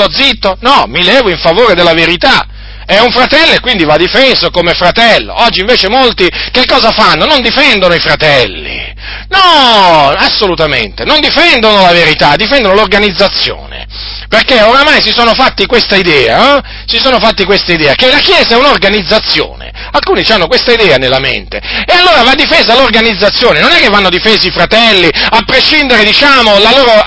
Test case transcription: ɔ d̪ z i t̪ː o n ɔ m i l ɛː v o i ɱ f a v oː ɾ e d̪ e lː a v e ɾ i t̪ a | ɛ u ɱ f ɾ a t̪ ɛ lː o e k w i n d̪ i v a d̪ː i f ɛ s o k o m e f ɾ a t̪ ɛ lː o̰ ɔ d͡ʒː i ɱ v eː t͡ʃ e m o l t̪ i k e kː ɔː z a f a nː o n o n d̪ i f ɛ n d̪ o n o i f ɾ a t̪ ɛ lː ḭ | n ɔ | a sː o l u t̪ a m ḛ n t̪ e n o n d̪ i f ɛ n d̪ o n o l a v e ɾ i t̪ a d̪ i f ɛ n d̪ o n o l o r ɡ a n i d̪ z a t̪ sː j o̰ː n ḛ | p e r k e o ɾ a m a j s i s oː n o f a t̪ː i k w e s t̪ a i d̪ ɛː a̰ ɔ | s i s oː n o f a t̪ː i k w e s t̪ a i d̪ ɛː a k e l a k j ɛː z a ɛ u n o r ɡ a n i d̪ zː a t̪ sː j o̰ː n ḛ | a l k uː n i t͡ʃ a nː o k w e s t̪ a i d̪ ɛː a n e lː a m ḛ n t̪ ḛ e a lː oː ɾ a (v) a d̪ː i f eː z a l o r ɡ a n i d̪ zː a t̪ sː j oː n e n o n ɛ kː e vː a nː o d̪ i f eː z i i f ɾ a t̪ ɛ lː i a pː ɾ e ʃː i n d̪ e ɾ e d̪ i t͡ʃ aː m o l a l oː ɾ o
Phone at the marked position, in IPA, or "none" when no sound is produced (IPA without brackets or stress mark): v